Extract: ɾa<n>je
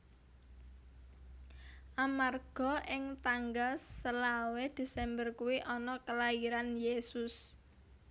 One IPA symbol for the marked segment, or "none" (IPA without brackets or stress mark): n